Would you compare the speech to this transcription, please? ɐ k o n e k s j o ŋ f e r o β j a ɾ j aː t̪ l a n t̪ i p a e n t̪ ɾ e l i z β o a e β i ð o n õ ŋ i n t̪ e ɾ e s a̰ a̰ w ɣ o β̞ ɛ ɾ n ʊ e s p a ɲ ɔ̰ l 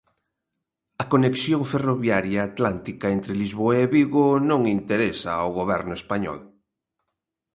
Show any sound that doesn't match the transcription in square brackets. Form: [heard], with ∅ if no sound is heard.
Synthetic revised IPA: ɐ k o n e k s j o ŋ f e r o β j a ɾ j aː t̪ l a n t̪ i [k] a e n t̪ ɾ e l i z β o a e β i [ɣ] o n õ ŋ i n t̪ e ɾ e s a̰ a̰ w ɣ o β̞ ɛ ɾ n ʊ e s p a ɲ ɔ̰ l